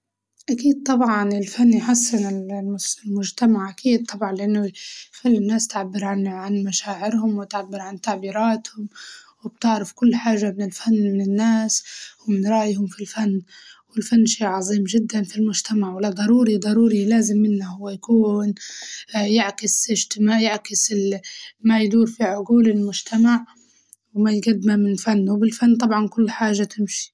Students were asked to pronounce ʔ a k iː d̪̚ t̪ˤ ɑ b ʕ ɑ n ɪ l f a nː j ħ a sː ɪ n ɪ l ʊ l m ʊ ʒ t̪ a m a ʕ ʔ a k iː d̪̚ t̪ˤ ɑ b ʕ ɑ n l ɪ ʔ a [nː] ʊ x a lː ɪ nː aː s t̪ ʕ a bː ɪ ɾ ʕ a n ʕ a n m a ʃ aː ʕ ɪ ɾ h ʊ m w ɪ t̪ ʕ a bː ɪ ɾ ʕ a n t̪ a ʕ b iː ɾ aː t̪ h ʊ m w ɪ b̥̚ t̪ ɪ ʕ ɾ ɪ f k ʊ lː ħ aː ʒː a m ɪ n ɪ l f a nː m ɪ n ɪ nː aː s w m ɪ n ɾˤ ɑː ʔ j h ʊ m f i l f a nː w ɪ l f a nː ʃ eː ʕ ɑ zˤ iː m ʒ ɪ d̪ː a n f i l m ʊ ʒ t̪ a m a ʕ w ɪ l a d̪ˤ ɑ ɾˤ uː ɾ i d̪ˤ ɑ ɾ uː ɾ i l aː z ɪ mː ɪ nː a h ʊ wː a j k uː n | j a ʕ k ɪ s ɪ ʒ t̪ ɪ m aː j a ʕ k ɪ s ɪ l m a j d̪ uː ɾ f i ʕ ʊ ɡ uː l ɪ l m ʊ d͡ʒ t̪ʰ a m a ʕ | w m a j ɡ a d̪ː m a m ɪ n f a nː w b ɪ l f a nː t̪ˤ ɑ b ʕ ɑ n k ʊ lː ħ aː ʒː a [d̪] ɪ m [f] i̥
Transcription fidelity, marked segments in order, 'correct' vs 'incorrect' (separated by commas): correct, incorrect, incorrect